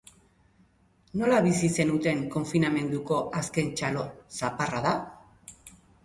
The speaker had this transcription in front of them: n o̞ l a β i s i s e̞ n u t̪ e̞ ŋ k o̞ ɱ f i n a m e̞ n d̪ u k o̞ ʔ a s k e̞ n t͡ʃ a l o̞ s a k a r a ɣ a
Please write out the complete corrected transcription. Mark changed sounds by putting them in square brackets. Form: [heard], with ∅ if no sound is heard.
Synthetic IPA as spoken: n o̞ l a β i s i s e̞ n u t̪ e̞ ŋ k o̞ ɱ f i n a m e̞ n d̪ u k o̞ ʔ a s k e̞ n t͡ʃ a l o̞ s a [p] a r a [ð] a